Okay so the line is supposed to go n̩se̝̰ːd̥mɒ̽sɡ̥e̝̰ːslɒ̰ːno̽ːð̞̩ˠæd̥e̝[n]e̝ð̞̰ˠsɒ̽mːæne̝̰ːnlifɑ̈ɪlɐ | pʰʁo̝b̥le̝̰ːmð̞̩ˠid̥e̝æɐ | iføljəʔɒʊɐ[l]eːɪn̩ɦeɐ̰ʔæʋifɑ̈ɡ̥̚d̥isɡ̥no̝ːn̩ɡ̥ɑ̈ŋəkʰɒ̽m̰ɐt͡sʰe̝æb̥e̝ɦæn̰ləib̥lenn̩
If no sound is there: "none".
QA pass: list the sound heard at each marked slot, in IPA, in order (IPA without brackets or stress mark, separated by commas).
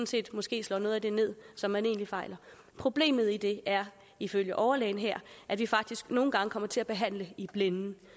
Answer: n, l